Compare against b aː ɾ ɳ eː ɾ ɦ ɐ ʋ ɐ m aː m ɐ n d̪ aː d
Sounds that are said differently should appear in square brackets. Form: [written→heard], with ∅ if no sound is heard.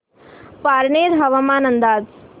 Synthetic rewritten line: [b→p] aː ɾ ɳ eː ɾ ɦ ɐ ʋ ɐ m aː [m→n] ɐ n d̪ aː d